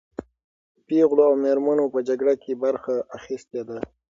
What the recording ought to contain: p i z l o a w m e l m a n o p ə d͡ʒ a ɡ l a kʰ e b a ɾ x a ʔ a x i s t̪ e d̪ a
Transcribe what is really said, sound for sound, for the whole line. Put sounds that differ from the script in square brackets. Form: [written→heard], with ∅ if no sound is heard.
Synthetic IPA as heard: p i [z→ɣ] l o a w m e [l→ɾ] m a n o p ə d͡ʒ a ɡ [l→ɽ] a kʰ e b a ɾ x a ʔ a x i s t̪ e d̪ a